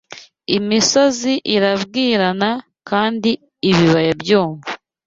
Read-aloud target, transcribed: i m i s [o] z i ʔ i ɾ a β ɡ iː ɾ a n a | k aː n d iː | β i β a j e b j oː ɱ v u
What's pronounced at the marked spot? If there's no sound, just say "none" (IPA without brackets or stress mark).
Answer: o